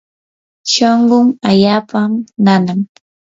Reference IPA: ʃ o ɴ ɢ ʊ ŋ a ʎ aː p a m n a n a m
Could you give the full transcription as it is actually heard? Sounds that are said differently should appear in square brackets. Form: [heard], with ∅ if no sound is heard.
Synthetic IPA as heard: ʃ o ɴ ɢ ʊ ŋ a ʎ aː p a m n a n a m